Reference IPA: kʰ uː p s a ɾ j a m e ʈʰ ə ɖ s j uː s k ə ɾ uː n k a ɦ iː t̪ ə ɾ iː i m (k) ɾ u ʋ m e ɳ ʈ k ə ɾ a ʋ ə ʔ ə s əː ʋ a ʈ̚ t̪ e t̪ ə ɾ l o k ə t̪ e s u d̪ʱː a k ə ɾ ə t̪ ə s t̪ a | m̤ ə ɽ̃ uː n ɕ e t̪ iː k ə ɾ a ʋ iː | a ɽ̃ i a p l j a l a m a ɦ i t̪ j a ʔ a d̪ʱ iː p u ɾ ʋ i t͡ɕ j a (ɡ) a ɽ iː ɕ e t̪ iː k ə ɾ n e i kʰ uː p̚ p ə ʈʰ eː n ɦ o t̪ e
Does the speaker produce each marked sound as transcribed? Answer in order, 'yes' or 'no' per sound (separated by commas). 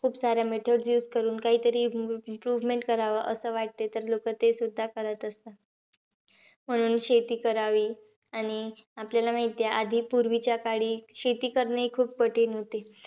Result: no, no